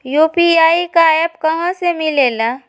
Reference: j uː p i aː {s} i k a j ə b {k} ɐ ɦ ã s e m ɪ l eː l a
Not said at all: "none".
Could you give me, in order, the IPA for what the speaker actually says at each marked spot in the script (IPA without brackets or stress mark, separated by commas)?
none, k